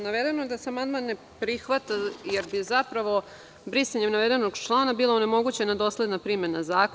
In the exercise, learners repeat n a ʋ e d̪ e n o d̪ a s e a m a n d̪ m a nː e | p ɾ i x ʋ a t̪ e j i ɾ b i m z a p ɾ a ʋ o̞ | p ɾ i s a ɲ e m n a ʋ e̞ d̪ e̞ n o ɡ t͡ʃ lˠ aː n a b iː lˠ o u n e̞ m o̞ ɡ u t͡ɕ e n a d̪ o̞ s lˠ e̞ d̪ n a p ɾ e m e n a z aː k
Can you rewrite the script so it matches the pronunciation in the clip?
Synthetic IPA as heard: n a ʋ e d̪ e n o d̪ a s e a m a n d̪ m a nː e | p ɾ i x ʋ a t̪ a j e ɾ b i z a p ɾ a ʋ o̞ | b ɾ i s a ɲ e m n a ʋ e̞ d̪ e̞ n o ɡ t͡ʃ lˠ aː n a b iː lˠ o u n e̞ m o̞ ɡ u t͡ɕ e n a d̪ o̞ s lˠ e̞ d̪ n a p ɾ i m e n a z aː k